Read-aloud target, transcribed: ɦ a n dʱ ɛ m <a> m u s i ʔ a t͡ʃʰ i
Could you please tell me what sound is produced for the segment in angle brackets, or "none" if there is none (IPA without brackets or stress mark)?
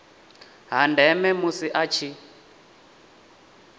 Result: ɛ